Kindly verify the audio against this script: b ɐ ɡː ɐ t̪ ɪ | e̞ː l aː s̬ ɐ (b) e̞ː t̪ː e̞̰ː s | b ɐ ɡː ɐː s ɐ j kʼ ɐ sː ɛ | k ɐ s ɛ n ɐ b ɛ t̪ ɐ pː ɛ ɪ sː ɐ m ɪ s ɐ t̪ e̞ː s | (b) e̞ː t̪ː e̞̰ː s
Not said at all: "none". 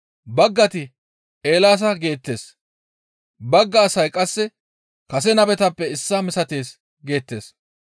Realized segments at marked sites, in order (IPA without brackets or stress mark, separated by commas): ɡ, ɡ